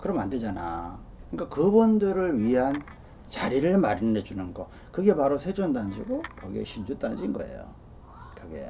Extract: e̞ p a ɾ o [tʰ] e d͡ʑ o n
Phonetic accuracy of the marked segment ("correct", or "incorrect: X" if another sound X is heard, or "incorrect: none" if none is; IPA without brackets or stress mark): incorrect: sʰ